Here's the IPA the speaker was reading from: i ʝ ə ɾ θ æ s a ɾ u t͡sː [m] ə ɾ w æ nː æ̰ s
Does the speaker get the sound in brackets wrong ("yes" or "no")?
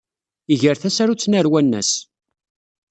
yes